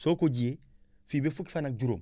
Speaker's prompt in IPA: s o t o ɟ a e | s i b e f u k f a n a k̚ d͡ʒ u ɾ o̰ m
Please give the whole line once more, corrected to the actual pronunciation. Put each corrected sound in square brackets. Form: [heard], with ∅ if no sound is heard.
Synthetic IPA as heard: s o [k] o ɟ [i] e | [f] i b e f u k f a n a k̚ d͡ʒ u ɾ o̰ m